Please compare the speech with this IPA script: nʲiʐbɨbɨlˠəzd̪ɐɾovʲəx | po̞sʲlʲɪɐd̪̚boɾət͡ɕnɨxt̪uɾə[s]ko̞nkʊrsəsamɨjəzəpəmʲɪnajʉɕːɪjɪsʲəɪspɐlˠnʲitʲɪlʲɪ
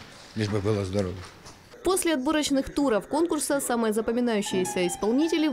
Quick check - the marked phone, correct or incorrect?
incorrect